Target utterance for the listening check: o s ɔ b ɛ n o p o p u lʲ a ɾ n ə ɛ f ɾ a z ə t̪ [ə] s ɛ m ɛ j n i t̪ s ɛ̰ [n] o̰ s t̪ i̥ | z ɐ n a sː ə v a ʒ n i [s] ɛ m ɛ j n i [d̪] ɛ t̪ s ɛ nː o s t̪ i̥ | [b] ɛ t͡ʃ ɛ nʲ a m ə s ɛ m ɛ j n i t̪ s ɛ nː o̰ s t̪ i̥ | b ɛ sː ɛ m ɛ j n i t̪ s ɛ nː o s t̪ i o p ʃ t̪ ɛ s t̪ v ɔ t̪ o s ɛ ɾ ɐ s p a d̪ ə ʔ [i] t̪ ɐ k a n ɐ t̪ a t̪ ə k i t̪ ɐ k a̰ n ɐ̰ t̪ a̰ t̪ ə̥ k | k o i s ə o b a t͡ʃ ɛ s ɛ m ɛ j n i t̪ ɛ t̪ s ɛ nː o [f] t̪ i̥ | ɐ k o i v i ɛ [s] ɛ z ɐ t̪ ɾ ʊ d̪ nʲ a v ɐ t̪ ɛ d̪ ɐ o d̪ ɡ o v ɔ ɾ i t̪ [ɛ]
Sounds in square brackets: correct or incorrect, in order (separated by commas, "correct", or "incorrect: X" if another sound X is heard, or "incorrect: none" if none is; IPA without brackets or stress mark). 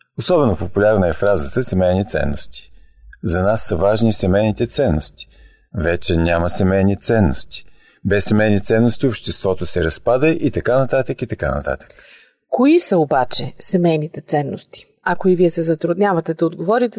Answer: correct, incorrect: nː, correct, incorrect: t̪, incorrect: v, correct, incorrect: s, correct, correct